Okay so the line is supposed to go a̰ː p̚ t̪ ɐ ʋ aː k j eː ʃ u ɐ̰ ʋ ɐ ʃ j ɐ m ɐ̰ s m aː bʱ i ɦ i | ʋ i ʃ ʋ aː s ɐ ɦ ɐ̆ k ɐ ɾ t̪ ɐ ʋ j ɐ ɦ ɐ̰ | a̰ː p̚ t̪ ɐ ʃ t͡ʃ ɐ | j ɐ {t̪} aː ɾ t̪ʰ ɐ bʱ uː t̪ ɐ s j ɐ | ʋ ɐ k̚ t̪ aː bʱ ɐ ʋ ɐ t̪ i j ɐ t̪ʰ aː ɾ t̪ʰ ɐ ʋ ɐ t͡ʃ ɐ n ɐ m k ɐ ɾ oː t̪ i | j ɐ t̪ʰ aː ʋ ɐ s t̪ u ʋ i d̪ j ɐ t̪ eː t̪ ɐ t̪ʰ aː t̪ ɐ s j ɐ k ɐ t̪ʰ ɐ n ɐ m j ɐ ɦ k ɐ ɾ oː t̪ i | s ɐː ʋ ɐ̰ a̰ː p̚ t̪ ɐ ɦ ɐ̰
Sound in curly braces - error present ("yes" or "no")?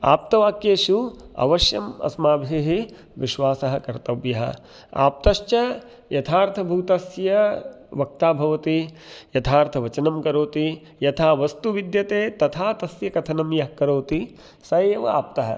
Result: yes